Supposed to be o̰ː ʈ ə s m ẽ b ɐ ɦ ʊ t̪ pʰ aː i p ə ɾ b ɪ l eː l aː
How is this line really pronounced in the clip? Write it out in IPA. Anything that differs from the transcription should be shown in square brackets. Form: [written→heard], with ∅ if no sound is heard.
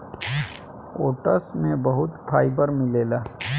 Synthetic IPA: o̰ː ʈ ə s m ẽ b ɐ ɦ ʊ t̪ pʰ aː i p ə ɾ [b→m] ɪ l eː l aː

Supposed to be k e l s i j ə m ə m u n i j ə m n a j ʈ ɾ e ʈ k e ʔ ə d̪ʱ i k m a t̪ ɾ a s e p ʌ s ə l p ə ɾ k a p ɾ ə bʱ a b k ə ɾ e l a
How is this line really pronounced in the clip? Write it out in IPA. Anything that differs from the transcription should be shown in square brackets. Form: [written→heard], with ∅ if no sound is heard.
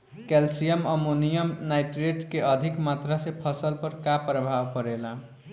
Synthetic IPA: k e l s i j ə m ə m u n i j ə m n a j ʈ ɾ e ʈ k e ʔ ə d̪ʱ i k m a t̪ ɾ a s e [p→pʰ] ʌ s ə l p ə ɾ k a p ɾ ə bʱ a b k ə ɾ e l a

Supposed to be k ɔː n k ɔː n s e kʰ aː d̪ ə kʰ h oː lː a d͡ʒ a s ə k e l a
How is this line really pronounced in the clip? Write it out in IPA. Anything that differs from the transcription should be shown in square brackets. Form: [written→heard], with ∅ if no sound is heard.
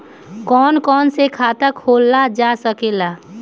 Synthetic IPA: k ɔː n k ɔː n s e kʰ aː [d̪→t̪] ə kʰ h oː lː a d͡ʒ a s ə k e l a

